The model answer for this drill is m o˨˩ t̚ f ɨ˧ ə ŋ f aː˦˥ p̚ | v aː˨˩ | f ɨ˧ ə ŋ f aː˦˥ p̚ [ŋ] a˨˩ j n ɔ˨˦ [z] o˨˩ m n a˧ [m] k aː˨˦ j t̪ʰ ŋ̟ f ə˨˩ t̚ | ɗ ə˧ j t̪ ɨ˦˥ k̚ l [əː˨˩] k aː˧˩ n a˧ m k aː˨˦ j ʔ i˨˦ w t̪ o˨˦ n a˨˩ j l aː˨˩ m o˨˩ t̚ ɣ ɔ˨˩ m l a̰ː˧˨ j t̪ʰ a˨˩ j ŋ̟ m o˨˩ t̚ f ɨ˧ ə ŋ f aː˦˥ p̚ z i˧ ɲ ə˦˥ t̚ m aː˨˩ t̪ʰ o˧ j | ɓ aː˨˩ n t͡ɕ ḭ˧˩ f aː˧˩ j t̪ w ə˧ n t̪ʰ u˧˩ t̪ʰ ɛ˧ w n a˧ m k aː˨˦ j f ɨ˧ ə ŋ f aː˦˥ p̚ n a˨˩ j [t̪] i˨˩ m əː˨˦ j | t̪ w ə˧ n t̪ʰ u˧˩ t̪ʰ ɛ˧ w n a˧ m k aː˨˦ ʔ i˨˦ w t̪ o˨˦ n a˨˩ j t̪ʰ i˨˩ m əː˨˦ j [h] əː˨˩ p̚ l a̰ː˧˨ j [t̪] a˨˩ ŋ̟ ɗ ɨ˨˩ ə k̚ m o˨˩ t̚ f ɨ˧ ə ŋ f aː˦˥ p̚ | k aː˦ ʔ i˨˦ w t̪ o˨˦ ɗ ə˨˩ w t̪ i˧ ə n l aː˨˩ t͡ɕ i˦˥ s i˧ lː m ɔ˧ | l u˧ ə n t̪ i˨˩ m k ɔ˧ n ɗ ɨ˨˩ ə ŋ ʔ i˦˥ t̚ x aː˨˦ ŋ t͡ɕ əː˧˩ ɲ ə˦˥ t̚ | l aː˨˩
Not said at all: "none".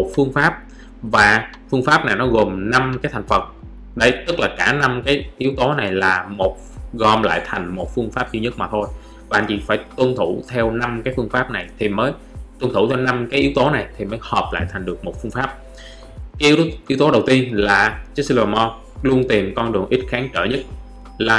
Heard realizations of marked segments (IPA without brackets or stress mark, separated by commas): n, ɣ, m, aː˨˩, t̪ʰ, h, t̪ʰ